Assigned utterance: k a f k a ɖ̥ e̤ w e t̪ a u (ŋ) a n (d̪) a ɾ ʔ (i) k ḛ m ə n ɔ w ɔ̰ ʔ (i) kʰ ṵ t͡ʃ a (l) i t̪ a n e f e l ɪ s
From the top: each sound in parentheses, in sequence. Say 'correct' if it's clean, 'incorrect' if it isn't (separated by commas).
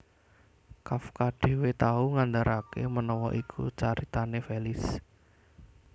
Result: correct, correct, incorrect, correct, incorrect